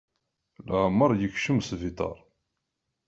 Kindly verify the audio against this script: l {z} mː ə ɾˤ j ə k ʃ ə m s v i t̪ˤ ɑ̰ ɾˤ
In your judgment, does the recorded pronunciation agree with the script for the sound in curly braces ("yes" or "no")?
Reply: no